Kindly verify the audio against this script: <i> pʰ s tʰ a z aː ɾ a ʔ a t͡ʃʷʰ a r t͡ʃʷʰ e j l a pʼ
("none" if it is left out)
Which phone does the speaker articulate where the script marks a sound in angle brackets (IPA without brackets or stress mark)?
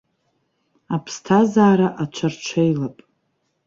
a